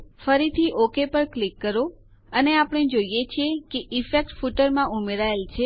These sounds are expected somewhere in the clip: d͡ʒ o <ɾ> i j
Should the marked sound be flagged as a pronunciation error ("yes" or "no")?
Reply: yes